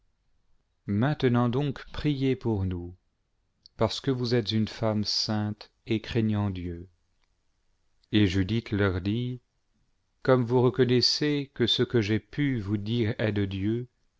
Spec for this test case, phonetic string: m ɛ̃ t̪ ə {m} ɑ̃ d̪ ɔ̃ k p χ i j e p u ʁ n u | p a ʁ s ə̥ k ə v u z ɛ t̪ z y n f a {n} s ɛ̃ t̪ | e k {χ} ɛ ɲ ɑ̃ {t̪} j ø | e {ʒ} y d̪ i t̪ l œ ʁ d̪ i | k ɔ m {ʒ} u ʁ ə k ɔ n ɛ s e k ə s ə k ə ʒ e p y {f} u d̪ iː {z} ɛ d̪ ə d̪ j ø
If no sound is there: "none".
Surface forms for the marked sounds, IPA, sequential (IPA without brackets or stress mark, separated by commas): n, m, χ, d̪, ʒ, v, v, ʁ